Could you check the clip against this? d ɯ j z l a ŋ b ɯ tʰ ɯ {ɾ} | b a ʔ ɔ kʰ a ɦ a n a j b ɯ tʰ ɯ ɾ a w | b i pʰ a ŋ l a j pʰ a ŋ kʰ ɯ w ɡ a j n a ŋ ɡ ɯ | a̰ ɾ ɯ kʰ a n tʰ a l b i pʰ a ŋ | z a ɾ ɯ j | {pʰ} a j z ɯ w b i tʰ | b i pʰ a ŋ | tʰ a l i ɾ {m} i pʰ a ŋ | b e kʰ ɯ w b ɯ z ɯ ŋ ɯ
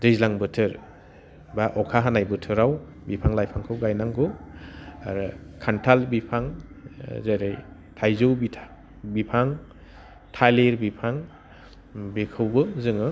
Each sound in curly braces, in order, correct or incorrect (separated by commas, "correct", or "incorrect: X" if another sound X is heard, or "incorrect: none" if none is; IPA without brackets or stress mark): correct, incorrect: tʰ, incorrect: b